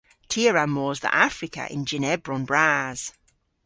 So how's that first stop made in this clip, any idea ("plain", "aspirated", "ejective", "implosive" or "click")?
aspirated